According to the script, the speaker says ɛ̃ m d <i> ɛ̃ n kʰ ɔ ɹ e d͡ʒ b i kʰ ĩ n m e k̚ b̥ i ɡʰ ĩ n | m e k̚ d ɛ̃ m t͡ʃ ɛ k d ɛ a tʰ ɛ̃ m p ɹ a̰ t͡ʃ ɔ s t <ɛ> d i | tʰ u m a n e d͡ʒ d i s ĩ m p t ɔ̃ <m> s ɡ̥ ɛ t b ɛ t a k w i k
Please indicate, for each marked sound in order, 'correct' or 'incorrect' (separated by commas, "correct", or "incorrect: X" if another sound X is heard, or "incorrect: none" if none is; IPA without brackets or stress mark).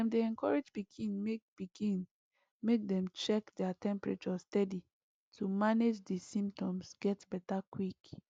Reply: incorrect: e, correct, correct